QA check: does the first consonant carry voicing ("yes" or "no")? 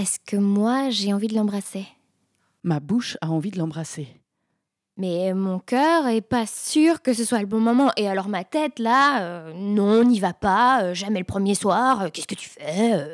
no